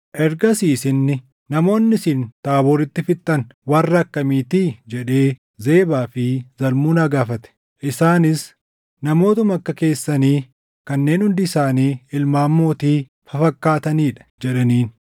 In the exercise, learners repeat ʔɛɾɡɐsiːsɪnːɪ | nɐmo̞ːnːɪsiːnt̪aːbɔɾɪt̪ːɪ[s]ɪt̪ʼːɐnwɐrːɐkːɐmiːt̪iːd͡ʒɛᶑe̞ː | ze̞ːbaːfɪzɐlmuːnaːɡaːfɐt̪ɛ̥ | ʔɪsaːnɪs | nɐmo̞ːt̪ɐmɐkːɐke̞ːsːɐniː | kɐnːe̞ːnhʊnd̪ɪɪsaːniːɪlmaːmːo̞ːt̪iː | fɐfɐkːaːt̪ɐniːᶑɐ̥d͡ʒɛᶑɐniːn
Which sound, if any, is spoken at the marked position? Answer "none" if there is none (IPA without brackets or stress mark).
f